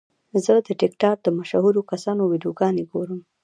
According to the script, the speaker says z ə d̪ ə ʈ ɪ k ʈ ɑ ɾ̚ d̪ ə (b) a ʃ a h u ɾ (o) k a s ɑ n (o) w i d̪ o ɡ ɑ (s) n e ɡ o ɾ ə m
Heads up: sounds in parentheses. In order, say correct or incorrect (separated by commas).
incorrect, correct, correct, incorrect